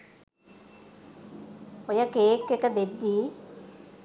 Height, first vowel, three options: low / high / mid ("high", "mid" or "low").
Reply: mid